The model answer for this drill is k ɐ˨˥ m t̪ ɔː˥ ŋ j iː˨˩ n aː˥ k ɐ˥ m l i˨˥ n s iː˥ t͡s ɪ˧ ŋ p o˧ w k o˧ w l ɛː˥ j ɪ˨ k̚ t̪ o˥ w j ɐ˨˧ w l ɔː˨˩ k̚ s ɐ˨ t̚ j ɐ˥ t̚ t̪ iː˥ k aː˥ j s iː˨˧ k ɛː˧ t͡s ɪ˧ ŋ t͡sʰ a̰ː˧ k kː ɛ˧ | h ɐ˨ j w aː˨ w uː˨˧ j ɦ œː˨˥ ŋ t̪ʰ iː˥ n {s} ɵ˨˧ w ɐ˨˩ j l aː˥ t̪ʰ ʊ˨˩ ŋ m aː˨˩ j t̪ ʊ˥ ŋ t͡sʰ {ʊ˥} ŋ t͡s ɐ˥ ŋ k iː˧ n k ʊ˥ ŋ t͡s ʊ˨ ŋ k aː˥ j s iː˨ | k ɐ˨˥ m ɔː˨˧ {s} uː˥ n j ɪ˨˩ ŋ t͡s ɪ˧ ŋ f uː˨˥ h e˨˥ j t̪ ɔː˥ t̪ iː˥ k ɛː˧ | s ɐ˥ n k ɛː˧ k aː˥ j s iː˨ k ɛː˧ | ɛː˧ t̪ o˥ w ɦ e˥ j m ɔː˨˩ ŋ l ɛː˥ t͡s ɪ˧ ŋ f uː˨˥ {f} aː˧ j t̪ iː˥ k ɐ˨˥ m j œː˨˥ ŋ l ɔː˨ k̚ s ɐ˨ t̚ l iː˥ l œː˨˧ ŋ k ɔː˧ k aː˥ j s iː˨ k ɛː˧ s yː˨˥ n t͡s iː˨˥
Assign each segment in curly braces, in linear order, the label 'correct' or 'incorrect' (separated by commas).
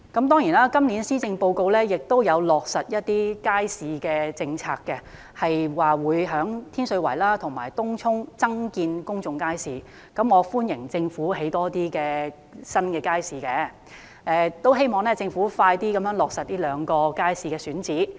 correct, correct, incorrect, correct